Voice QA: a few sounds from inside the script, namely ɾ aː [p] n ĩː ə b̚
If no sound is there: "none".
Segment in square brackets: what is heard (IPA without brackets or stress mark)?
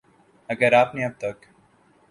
p